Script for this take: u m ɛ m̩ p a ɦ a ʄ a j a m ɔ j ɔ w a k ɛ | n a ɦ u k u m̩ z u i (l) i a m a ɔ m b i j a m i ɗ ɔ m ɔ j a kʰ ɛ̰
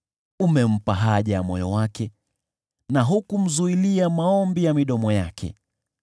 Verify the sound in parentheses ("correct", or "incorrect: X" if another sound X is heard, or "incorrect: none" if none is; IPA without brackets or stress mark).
correct